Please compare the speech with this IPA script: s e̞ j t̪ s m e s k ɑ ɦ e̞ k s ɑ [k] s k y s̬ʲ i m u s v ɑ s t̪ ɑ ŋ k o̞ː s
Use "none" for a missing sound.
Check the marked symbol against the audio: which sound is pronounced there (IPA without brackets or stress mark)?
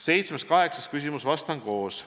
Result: none